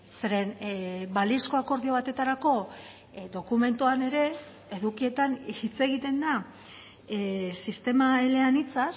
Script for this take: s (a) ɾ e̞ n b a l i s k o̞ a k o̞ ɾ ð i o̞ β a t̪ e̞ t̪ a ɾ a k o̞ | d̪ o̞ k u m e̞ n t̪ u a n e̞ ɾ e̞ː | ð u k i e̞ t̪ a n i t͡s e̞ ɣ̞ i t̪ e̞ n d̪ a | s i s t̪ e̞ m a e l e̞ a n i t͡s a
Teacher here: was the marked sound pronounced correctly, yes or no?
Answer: no